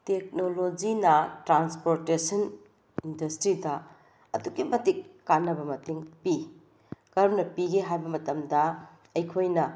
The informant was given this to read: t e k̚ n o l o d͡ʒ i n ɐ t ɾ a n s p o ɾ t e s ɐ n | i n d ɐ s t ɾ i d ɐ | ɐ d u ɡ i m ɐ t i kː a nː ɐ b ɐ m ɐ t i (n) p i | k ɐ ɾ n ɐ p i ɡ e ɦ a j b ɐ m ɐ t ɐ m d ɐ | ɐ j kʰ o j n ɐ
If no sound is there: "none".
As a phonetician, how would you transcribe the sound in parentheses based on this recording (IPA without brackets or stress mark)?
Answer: ŋ